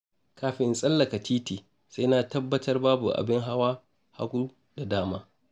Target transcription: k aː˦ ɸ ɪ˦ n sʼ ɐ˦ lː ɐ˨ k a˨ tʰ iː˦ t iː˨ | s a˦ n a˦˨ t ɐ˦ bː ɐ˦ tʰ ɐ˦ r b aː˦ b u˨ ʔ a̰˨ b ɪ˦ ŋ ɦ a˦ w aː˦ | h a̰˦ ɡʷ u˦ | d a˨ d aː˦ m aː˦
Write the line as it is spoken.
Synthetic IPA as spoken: k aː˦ ɸ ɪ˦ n sʼ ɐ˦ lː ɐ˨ k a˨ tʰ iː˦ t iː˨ | s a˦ n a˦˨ t ɐ˦ bː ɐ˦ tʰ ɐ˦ r b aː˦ b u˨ ʔ a̰˨ b ɪ˦ ŋ ɦ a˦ w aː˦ | h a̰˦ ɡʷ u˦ | d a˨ d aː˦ m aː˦